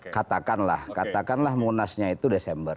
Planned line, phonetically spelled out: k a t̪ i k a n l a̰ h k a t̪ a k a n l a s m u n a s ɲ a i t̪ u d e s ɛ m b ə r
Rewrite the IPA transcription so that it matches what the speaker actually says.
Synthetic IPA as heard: k a t̪ a k a n l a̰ h k a t̪ a k a n l a h m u n a s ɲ a i t̪ u d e s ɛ m b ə r